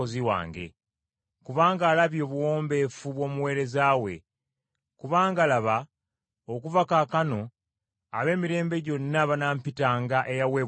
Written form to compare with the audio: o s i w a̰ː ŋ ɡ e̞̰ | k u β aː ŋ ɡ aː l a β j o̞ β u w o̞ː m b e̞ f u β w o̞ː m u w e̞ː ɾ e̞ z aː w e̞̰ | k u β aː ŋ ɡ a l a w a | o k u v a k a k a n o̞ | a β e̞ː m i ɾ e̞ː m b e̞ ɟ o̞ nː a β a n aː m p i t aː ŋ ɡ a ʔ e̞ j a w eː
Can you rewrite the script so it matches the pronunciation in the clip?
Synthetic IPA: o z i w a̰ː ŋ ɡ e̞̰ | k u β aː ŋ ɡ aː l a β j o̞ β u w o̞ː m b e̞ f u β w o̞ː m u w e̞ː ɾ e̞ z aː w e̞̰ | k u β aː ŋ ɡ a l a β a | o k u v a k a k a n o̞ | a β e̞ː m i ɾ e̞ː m b e̞ ɟ o̞ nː a β a n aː m p i t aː ŋ ɡ a ʔ e̞ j a w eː

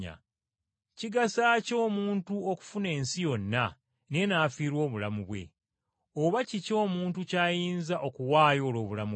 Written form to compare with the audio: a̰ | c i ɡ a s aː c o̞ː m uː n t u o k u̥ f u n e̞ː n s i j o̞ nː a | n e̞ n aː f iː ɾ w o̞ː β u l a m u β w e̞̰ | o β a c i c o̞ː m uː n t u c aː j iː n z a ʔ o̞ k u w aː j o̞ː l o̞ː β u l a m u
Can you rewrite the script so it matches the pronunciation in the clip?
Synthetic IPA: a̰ | c i ɡ a s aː c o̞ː m uː n t u o k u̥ f u n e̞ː n s i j o̞ nː a | n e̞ n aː f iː ɾ w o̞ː β u l a m u β w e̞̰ | o β a c i c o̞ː m uː n t u c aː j iː n z a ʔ o̞ k u w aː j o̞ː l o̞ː β u l a m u

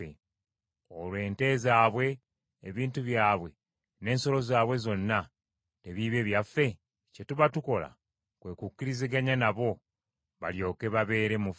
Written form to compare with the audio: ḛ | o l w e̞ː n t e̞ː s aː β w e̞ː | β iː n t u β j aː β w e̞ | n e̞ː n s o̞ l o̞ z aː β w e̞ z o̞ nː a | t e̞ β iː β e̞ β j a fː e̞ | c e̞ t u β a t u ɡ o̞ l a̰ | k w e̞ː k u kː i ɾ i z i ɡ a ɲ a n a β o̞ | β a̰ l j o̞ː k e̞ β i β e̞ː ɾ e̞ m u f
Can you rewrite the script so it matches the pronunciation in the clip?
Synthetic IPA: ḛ | o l w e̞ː n t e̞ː z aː β w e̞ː | β iː n t u β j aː β w e̞ | n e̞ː n s o̞ l o̞ z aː β w e̞ z o̞ nː a | t e̞ β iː β e̞ β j a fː e̞ | c e̞ t u β a t u k o̞ l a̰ | k w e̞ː k u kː i ɾ i z i ɡ a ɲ a n a β o̞ | β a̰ l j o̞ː k e̞ β a β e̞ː ɾ e̞ m u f

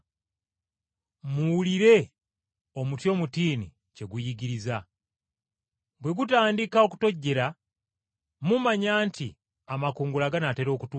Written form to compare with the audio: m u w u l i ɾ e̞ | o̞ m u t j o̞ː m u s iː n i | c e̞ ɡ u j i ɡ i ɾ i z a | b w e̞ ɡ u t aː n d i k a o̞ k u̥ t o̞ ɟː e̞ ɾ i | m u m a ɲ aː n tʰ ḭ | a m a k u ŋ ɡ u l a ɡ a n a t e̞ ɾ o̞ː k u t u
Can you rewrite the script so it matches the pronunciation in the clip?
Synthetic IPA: m u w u l i ɾ e̞ | o̞ m u t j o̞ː m u t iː n i | c e̞ ɡ u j i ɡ i ɾ i z a | b w e̞ ɡ u t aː n d i k a o̞ k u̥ t o̞ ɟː e̞ ɾ a | m u m a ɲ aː n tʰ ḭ | a m a k uː ŋ ɡ u l a ɡ a n a t e̞ ɾ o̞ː k u t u

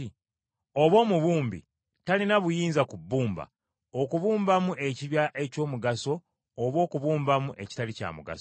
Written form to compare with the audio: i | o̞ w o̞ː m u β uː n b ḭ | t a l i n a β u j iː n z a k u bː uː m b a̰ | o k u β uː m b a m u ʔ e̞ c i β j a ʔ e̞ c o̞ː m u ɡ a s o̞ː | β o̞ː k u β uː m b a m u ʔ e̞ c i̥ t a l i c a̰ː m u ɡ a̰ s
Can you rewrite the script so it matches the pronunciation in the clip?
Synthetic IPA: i | o̞ β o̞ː m u β uː m b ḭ | t a l i n a β u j iː n z a k u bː uː m b a̰ | o k u β uː m b a m u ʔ e̞ c i β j a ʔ e̞ c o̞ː m u ɡ a s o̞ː | β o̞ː k u β uː m b a m u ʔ e̞ c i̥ t a l i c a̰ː m u ɡ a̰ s

